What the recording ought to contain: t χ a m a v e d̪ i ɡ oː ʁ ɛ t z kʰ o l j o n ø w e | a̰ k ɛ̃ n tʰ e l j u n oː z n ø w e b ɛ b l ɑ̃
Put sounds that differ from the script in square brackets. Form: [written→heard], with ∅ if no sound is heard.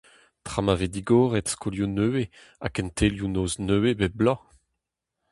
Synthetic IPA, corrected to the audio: t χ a m a v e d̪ i ɡ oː ʁ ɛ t [z→s] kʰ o l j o n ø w e | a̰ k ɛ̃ n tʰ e l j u n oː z n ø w e b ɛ b l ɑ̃